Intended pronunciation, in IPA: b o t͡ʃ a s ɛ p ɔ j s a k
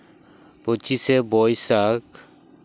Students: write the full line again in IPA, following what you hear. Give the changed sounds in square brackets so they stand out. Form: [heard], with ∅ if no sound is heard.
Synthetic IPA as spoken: [p] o t͡ʃ [i] s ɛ [b] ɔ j s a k